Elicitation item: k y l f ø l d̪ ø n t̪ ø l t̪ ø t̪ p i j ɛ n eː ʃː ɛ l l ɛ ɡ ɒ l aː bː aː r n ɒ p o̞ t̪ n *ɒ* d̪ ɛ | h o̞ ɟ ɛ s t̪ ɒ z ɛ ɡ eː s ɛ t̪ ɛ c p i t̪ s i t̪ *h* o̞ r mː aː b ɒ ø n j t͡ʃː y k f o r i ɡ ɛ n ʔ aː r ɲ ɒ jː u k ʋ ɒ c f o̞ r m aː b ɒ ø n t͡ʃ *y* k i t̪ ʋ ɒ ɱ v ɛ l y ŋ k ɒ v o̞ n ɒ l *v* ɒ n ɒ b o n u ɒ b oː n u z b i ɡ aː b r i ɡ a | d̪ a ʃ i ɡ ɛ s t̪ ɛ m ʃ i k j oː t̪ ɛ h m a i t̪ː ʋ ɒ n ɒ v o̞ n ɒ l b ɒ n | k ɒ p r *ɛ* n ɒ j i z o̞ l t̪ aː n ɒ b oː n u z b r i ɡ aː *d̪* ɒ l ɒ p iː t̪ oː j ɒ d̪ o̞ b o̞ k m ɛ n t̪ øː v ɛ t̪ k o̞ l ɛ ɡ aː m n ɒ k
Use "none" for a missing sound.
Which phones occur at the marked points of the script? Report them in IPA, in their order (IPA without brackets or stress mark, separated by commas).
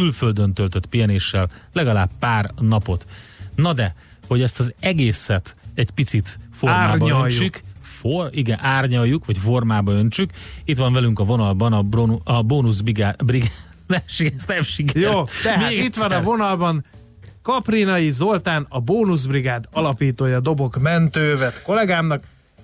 ɒ, f, y, b, i, d̪